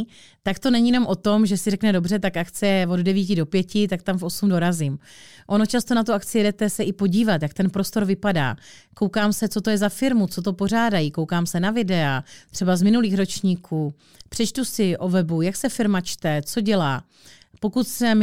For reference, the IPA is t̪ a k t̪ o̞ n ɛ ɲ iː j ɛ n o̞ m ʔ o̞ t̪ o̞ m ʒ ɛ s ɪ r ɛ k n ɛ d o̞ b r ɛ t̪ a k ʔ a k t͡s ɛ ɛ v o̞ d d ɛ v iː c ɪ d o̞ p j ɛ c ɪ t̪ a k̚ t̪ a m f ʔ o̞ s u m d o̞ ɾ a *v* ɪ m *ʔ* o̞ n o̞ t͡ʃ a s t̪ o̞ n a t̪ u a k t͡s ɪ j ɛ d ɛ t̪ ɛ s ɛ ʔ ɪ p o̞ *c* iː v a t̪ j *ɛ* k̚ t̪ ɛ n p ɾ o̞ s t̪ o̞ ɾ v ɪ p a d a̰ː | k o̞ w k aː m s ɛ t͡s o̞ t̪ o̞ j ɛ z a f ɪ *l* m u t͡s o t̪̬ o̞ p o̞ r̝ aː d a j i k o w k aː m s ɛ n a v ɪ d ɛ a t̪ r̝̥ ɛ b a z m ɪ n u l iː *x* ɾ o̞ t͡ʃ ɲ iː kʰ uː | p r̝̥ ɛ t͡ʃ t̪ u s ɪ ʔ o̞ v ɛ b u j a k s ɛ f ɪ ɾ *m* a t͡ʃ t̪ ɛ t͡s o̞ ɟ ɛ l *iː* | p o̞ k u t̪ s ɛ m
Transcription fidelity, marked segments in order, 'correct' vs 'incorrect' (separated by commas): incorrect, correct, incorrect, incorrect, incorrect, correct, correct, incorrect